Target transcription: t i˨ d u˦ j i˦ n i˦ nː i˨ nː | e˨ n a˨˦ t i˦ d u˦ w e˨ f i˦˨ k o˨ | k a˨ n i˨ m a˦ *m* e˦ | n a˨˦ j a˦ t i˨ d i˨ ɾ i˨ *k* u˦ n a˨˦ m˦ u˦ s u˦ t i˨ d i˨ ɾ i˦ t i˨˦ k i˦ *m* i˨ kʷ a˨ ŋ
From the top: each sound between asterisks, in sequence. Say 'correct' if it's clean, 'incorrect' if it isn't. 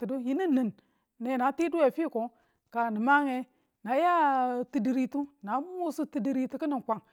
incorrect: ŋ, incorrect: t, incorrect: n

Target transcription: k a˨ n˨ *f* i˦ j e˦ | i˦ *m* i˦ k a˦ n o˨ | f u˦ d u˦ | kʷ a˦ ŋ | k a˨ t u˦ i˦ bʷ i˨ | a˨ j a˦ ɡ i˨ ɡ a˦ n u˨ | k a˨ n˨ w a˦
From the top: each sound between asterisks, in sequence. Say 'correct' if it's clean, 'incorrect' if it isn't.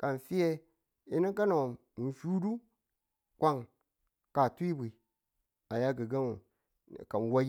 correct, incorrect: n

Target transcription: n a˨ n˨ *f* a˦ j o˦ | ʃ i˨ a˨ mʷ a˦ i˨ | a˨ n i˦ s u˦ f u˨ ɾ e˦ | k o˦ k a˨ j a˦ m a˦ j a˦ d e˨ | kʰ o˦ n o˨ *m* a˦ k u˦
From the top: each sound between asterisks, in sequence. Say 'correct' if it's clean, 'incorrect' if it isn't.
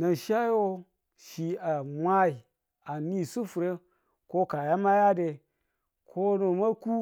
incorrect: ʃ, correct

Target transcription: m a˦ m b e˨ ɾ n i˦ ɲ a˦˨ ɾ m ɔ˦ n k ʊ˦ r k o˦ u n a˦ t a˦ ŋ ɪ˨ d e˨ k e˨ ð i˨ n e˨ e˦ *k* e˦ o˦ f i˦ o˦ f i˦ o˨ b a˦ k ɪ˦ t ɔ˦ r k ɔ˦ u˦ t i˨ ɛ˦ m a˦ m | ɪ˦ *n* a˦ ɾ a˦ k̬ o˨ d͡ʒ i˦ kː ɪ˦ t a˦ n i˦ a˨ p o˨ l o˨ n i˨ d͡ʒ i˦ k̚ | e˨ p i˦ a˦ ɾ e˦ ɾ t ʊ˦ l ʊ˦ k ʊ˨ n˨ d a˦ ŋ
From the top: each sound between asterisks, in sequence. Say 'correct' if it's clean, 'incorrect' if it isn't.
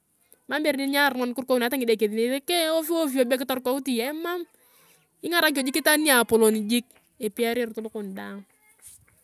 correct, incorrect: ŋ

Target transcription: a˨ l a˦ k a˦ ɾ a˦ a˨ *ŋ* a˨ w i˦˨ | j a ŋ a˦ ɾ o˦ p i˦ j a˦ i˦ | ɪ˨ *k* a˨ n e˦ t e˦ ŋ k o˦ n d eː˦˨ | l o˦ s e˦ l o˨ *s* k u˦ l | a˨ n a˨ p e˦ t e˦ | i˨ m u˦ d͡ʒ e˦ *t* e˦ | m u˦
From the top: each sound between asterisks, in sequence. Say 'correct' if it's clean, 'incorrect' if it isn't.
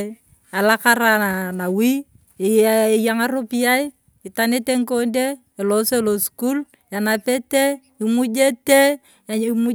incorrect: n, incorrect: t, correct, correct

